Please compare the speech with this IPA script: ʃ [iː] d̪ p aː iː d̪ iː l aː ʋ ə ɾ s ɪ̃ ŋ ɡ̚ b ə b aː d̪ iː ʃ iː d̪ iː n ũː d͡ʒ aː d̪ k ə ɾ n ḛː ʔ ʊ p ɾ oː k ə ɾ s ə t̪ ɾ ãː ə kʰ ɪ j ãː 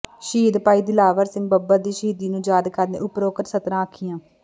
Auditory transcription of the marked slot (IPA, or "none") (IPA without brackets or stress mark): iː